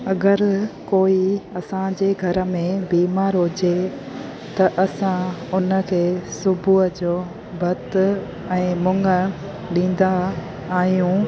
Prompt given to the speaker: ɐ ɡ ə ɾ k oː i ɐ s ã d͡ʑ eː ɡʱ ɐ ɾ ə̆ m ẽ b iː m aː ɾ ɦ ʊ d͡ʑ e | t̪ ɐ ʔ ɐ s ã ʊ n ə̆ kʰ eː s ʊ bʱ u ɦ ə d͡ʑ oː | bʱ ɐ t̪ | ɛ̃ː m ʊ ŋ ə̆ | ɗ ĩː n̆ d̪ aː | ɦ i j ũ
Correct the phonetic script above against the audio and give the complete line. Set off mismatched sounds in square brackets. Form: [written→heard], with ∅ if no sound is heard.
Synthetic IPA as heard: ɐ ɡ ə ɾ k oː i ɐ s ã d͡ʑ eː ɡʱ ɐ ɾ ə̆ m ẽ b iː m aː ɾ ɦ ʊ d͡ʑ e | t̪ ɐ ʔ ɐ s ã ʊ n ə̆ kʰ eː s ʊ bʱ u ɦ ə d͡ʑ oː | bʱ ɐ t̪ | ɛ̃ː m ʊ ŋ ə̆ | ɗ ĩː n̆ d̪ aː | ɦ i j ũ